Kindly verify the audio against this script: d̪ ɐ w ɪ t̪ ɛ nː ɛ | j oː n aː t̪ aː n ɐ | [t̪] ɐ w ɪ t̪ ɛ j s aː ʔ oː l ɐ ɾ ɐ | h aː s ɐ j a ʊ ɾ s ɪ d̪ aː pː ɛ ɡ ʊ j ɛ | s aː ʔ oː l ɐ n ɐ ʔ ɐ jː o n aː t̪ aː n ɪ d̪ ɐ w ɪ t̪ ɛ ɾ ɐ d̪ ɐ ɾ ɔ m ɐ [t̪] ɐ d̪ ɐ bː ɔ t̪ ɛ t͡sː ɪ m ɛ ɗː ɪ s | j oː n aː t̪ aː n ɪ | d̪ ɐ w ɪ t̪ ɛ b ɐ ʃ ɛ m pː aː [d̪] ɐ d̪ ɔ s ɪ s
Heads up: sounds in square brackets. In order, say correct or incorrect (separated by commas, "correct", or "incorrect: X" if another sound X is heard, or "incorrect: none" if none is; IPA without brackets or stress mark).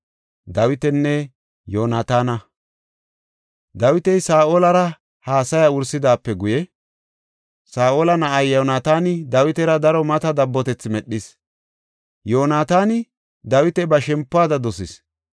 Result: incorrect: d̪, correct, correct